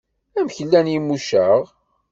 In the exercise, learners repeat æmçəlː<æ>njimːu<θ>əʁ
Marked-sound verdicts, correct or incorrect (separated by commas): correct, incorrect